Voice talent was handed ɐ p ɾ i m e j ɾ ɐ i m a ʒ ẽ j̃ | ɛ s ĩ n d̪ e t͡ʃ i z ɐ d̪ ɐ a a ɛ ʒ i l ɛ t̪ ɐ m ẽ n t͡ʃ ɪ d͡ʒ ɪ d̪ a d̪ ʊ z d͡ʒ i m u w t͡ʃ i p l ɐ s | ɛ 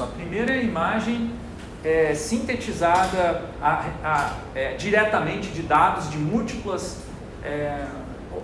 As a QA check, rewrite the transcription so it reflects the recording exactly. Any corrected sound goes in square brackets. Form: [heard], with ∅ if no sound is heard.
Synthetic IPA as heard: ɐ p ɾ i m e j ɾ ɐ i m a ʒ ẽ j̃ | ɛ s ĩ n [t̪] e t͡ʃ i z [a] d̪ ɐ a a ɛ [d͡ʒ] i [ɾ] ɛ t̪ ɐ m ẽ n t͡ʃ ɪ d͡ʒ ɪ d̪ a d̪ ʊ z d͡ʒ [ɪ] m u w t͡ʃ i p l ɐ s | ɛ

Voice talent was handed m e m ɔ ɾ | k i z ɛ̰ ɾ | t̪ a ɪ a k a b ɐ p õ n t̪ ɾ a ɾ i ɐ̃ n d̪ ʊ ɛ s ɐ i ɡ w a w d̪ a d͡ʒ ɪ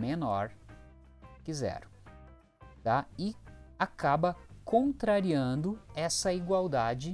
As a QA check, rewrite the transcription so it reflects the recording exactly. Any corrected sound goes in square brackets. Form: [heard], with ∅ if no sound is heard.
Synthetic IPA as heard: m e [n] ɔ ɾ | k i z ɛ̰ ɾ | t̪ a ɪ a k a b ɐ [k] õ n t̪ ɾ a ɾ i ɐ̃ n d̪ ʊ ɛ s ɐ i ɡ w a w d̪ a d͡ʒ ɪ

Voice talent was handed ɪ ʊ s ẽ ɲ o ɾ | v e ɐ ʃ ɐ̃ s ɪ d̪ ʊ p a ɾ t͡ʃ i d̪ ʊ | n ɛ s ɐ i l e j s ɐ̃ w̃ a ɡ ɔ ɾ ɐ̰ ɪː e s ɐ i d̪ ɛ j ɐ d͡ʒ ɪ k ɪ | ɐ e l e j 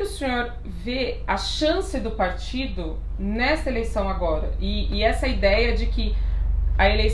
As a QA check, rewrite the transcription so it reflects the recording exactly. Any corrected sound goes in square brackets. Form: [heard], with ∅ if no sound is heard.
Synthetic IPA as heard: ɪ ʊ s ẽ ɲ o ɾ | v e ɐ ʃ ɐ̃ s ɪ d̪ ʊ p a ɾ t͡ʃ i d̪ ʊ | n ɛ s ɐ [e] l e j s ɐ̃ w̃ a ɡ ɔ ɾ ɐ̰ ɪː [ɛ] s ɐ i d̪ ɛ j ɐ d͡ʒ ɪ k ɪ | ɐ e l e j

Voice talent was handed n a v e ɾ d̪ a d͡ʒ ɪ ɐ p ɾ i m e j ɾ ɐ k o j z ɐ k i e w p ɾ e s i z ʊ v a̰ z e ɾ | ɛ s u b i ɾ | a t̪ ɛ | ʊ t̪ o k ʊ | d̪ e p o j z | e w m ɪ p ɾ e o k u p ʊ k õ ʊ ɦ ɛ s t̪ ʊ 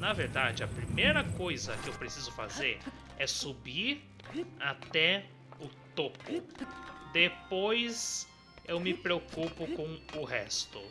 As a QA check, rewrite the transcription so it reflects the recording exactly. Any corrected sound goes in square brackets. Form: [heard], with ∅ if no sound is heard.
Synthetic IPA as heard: n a v e ɾ d̪ a d͡ʒ ɪ ɐ p ɾ i m e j ɾ ɐ k o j z ɐ k [ɪ] e w p ɾ e s i z ʊ [f] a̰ z e ɾ | ɛ s u b i ɾ | a t̪ ɛ | ʊ t̪ o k ʊ | d̪ e p o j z | e w m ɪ p ɾ e o k u p ʊ k õ ʊ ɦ ɛ s t̪ ʊ

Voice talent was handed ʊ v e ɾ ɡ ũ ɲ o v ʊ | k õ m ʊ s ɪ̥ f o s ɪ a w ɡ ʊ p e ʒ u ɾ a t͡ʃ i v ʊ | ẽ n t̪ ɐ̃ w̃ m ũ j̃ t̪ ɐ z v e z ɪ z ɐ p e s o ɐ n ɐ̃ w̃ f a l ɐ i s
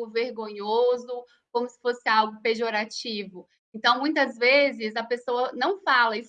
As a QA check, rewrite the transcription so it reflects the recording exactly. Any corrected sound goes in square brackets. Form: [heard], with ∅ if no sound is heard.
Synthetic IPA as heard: ʊ v e ɾ ɡ [õ] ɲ o [z] ʊ | k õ m ʊ s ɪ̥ f o s ɪ a w ɡ ʊ p e ʒ [o] ɾ a t͡ʃ i v ʊ | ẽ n t̪ ɐ̃ w̃ m ũ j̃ t̪ ɐ z v e z ɪ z ɐ p e s o ɐ n ɐ̃ w̃ f a l ɐ i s

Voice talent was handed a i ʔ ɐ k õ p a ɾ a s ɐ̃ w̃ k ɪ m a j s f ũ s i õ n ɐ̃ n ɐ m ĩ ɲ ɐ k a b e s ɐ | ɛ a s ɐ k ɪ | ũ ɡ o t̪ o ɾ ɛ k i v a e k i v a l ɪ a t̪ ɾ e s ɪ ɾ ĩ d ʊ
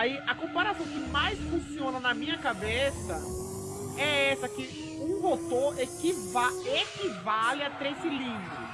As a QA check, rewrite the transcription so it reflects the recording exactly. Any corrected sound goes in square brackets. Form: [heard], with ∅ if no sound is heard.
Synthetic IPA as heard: a i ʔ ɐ k õ p a ɾ a s ɐ̃ w̃ k ɪ m a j s f ũ s i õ n [ɐ] n ɐ m ĩ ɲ ɐ k a b e s ɐ | ɛ [ɛ] s ɐ k ɪ | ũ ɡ o t̪ o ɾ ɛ k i v a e k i v a l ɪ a t̪ ɾ e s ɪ [l] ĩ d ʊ

